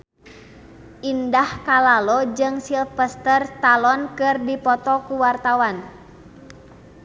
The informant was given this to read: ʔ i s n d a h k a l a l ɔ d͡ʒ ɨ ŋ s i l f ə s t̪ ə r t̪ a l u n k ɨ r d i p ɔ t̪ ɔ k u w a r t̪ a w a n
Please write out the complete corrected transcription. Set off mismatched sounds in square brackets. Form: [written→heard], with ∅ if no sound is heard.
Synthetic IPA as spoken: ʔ i [s→∅] n d a h k a l a l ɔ d͡ʒ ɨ ŋ s i l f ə s t̪ ə r t̪ a l [u→ɔ] n k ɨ r d i p ɔ t̪ ɔ k u w a r t̪ a w a n